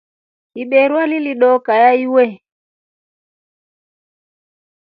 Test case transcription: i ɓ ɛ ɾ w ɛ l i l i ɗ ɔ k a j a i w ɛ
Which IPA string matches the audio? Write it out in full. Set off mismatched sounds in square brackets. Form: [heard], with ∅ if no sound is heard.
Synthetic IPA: i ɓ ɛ ɾ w [a] l i l i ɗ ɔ k a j a i w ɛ

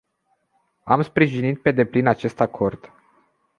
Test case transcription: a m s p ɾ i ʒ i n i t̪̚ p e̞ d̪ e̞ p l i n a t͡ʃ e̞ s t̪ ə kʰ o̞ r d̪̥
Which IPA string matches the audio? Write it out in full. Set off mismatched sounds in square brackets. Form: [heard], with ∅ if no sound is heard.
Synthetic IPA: a m s p ɾ i ʒ i n i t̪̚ p e̞ d̪ e̞ p l i n a t͡ʃ e̞ s t̪ [a] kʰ o̞ r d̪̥

